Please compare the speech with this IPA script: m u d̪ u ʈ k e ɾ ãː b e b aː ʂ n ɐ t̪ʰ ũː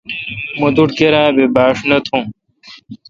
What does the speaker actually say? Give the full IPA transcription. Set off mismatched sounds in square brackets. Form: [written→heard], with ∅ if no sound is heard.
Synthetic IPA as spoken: m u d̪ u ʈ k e ɾ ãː b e b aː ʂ n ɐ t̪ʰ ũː